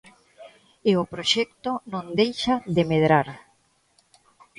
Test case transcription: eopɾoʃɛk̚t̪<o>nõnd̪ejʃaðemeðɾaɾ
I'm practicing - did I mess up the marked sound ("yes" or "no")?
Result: no